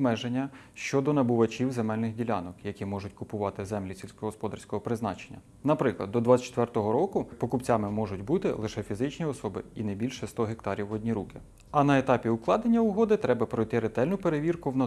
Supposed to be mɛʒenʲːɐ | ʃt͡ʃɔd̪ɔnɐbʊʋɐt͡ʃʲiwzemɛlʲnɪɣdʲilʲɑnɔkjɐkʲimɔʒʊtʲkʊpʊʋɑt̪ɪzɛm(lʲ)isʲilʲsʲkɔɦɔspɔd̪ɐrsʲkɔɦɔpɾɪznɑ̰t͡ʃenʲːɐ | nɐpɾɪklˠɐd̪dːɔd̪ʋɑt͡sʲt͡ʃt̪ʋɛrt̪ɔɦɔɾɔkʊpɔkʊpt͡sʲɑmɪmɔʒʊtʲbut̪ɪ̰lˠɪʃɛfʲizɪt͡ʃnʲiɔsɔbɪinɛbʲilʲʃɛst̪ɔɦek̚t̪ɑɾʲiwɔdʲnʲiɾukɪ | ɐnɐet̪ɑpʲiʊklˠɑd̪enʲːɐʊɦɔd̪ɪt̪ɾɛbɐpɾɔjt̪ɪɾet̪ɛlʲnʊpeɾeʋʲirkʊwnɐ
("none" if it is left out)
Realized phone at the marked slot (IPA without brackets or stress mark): lʲ